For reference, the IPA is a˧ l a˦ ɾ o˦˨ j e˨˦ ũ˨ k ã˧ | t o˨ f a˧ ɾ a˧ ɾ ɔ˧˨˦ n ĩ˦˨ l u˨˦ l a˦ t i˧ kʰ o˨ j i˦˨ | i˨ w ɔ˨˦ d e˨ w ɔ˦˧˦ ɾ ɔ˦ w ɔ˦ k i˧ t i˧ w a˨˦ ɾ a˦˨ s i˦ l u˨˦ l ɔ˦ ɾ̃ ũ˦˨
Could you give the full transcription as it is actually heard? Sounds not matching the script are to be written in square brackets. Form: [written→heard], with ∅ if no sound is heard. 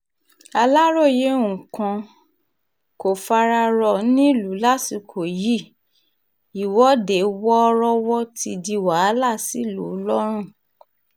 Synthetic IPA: a˧ l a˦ ɾ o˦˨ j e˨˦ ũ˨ k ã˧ | [t→k] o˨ f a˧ ɾ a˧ ɾ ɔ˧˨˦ n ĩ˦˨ l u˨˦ l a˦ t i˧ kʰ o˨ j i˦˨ | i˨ w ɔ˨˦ d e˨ w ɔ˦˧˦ ɾ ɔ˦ w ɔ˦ [k→t] i˧ [t→d] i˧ w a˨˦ [ɾ→l] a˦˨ s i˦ l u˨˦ l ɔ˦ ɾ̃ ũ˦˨